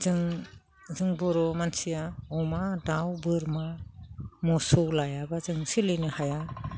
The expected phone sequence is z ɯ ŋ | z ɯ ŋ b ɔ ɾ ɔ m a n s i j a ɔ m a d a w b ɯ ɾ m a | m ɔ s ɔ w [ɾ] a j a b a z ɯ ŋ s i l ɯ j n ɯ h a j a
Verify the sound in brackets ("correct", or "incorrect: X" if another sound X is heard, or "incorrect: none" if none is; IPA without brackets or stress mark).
incorrect: l